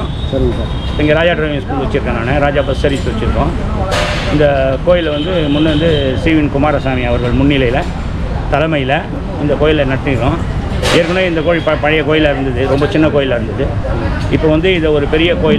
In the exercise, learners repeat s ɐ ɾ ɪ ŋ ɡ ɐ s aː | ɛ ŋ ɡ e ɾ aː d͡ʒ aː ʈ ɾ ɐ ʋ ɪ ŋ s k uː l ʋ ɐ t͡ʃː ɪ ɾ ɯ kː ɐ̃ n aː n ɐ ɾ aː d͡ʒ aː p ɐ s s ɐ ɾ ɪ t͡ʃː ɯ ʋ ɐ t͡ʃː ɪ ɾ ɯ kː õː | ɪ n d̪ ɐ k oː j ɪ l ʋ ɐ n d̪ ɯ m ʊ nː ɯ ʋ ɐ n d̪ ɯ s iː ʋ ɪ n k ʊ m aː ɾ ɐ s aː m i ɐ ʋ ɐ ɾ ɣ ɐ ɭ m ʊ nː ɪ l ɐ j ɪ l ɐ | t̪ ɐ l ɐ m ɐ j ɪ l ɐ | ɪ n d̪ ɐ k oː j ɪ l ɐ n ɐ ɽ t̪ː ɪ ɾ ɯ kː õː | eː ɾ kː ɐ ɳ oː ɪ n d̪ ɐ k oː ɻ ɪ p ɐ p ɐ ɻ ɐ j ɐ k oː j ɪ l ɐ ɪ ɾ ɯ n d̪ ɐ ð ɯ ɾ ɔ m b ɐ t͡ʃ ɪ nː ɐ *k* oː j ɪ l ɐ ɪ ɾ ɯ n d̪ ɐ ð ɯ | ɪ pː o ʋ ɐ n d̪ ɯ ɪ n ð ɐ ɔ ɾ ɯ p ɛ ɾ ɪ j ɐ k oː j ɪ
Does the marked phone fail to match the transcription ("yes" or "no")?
no